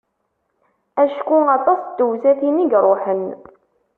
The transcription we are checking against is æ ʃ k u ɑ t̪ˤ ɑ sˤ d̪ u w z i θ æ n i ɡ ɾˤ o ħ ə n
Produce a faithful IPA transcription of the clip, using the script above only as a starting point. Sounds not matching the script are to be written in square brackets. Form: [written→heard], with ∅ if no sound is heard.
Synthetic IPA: æ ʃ k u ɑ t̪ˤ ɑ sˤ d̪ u w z [i→æ] θ [æ→i] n i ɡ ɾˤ o ħ ə n

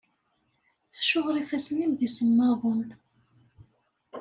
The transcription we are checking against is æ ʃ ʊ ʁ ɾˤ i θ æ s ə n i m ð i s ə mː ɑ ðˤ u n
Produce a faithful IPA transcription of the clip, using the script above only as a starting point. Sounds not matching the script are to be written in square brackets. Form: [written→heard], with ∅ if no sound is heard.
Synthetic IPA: æ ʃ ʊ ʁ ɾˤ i [θ→f] æ s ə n i m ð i s ə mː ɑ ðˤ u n

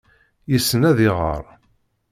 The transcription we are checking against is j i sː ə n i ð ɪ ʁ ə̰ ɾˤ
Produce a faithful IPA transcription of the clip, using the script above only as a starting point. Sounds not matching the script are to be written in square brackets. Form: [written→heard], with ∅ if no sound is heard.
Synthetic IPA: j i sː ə n [i→æ] ð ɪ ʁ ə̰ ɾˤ

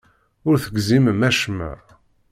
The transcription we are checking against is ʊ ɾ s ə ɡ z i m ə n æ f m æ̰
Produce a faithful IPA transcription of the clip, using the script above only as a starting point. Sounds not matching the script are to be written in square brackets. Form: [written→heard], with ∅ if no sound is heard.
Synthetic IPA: ʊ ɾ [s→θ] ə ɡ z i m ə [n→m] æ [f→ʃ] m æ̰

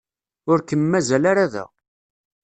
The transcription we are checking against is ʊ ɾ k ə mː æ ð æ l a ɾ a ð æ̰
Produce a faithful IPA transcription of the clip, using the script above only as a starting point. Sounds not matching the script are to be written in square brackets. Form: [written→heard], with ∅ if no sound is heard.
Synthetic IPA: ʊ ɾ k ə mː æ [ð→z] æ l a ɾ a ð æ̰

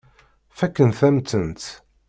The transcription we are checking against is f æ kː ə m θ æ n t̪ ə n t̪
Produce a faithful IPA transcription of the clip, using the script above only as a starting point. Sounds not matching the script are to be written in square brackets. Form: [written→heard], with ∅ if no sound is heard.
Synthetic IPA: f æ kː ə [m→n] θ æ [n→m] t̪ ə n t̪

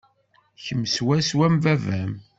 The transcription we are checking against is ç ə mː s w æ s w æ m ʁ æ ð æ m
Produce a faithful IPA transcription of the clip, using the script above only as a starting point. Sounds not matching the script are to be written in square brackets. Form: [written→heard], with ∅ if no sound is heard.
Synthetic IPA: ç ə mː s w æ s w æ m [ʁ→v] æ [ð→v] æ m

